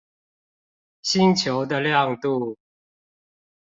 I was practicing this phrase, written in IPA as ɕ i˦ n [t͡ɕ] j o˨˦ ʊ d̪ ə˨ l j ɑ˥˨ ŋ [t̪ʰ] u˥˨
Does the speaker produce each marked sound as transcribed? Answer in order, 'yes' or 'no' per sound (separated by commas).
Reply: no, no